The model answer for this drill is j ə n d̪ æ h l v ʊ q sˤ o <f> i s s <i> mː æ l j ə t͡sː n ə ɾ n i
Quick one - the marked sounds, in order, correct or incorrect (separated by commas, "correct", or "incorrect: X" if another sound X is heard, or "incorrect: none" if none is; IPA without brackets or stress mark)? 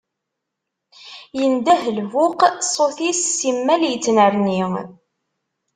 incorrect: θ, correct